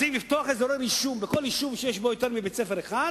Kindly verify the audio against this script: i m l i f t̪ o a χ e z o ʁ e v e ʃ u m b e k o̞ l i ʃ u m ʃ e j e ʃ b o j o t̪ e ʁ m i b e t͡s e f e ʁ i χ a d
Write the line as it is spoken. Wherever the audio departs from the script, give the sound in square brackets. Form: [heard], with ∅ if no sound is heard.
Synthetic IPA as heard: i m l i f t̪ o a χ e z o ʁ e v [i] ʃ u m b e k o̞ l i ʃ u m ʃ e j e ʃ b o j o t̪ e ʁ m i b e t͡s e f e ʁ [e] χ a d